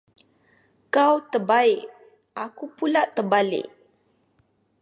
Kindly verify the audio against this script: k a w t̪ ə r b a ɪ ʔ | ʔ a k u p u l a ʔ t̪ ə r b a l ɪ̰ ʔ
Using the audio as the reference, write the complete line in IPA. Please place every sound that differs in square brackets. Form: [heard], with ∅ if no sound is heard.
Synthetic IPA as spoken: k a w t̪ ə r b a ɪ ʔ | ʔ a k u p u l a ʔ t̪ ə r b a l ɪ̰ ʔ